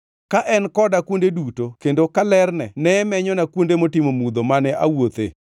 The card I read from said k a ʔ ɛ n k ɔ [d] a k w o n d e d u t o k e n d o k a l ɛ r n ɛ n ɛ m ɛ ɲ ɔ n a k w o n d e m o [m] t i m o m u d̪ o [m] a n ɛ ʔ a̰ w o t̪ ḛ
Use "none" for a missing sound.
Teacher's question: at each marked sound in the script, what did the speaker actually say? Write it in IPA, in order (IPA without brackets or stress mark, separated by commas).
d, none, m